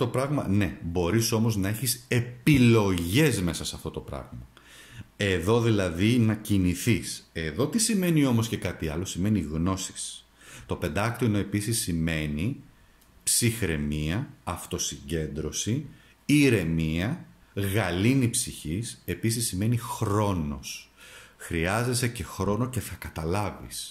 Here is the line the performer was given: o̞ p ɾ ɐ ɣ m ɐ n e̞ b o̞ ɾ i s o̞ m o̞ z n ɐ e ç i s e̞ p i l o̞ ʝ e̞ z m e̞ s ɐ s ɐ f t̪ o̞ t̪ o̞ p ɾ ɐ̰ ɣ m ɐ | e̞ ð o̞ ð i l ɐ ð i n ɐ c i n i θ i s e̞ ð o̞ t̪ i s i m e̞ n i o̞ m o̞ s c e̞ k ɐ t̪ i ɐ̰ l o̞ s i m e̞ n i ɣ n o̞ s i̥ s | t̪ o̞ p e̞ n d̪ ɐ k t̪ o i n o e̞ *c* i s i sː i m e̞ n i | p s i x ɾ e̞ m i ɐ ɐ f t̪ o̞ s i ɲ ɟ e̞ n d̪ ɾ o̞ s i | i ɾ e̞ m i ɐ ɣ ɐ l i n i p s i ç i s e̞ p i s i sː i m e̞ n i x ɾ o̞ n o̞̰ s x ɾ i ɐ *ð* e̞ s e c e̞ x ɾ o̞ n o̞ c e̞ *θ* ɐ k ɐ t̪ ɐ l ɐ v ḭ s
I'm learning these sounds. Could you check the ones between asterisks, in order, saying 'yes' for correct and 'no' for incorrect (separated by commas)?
no, no, yes